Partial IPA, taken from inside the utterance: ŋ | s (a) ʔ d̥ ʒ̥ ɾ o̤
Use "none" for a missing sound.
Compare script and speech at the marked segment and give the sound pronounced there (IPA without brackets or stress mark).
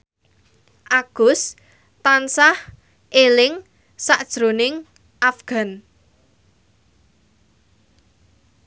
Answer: a